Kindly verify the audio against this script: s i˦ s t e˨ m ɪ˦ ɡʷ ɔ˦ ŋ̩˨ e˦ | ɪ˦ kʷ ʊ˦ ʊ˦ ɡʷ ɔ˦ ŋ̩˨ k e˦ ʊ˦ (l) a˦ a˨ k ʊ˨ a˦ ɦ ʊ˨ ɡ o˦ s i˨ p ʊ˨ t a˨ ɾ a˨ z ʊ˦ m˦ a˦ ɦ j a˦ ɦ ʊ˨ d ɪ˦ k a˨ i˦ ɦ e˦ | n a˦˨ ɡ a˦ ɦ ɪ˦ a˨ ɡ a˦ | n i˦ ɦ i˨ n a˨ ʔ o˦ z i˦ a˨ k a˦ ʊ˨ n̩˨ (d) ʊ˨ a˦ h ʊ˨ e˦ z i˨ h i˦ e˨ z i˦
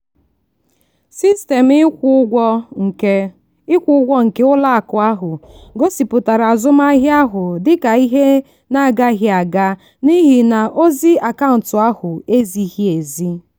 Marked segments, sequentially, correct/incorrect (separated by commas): correct, incorrect